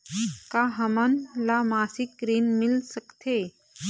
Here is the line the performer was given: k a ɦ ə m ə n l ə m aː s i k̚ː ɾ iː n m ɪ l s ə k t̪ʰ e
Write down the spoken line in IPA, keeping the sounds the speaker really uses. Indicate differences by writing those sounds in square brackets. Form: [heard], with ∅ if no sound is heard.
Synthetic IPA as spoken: k a ɦ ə m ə n l [a] m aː s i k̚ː ɾ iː n m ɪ l s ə k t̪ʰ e